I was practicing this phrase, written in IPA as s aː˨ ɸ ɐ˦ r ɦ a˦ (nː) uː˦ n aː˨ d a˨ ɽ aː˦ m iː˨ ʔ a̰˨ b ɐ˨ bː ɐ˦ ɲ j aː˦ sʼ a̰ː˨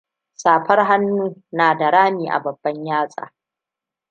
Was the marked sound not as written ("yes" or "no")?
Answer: no